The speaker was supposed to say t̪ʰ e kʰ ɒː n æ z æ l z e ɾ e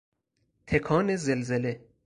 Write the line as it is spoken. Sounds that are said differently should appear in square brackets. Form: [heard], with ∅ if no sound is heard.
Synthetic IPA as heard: t̪ʰ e kʰ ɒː n [e] z [e] l z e [l] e